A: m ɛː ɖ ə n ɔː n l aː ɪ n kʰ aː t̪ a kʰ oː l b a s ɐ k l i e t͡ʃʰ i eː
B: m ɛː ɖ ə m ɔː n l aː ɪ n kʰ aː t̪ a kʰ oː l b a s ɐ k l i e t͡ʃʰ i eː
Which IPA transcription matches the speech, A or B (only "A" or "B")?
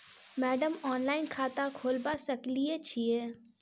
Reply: B